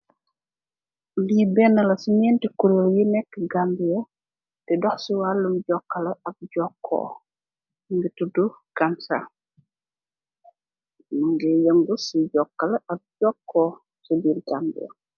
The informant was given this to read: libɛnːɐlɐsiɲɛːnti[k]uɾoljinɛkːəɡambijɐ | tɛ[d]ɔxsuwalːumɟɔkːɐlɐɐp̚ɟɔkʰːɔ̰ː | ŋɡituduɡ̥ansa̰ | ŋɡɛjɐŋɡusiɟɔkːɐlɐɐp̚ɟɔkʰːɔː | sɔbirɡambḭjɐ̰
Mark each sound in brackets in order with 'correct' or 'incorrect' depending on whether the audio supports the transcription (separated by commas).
correct, correct